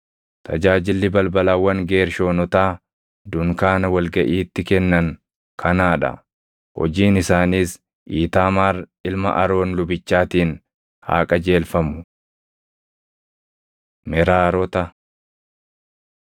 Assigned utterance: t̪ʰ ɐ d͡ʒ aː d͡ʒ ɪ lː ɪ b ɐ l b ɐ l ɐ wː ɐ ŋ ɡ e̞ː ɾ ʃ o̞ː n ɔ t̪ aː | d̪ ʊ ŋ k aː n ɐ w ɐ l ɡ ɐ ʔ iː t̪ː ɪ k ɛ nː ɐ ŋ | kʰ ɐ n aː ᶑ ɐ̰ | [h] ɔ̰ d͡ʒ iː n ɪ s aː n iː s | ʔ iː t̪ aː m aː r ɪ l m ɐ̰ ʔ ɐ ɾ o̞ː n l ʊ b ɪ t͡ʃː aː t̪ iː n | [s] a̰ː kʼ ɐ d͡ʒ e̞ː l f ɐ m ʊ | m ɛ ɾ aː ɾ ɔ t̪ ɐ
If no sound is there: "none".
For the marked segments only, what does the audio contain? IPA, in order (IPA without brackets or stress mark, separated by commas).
h, h